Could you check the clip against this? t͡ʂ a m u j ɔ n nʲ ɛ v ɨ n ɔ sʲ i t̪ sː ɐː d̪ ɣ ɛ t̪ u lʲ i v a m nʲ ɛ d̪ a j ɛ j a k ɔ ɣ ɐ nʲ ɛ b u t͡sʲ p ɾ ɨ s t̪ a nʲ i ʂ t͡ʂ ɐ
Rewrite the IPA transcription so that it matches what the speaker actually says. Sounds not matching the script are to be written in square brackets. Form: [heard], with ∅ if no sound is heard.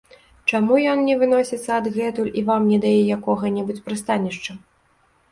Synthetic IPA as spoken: t͡ʂ a m u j ɔ n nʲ ɛ v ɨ n ɔ sʲ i t̪ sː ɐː d̪ ɣ ɛ t̪ u lʲ i v a m nʲ ɛ d̪ a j ɛ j a k ɔ ɣ ɐ nʲ ɛ b u t͡sʲ p ɾ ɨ s t̪ a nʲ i ʂ t͡ʂ ɐ